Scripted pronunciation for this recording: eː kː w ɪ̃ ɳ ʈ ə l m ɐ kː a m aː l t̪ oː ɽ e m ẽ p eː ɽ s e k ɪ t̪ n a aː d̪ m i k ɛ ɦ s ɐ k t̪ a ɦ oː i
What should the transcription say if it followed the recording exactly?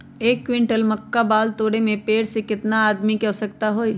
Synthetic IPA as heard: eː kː w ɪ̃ ɳ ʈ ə l m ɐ kː a b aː l t̪ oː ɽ e m ẽ p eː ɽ s e k ɪ t̪ n a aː d̪ m i k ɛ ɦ s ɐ k t̪ a ɦ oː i